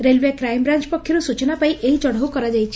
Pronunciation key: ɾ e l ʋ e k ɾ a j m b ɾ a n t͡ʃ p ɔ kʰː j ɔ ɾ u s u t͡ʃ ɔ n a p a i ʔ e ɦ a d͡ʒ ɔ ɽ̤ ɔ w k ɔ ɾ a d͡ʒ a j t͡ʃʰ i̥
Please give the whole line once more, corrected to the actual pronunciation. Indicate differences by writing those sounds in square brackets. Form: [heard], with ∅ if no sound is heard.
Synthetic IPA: ɾ e l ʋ e k ɾ a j m b ɾ a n t͡ʃ p ɔ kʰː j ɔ ɾ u s u t͡ʃ ɔ n a p a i ʔ e ɦ [i] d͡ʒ ɔ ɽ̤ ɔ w k ɔ ɾ a d͡ʒ a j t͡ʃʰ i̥